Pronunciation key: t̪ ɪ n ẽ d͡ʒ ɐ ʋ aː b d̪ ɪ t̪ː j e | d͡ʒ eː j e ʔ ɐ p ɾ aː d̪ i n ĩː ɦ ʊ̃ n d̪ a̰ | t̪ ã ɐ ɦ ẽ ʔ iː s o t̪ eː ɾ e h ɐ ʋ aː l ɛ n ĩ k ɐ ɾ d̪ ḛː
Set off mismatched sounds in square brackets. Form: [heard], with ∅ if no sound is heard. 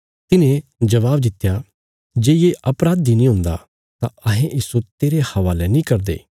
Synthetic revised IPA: t̪ ɪ n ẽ d͡ʒ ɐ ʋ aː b d̪ ɪ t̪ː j [a] | d͡ʒ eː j e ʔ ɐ p ɾ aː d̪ i n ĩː ɦ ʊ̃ n d̪ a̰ | t̪ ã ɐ ɦ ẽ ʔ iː s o t̪ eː ɾ e h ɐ ʋ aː l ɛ n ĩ k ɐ ɾ d̪ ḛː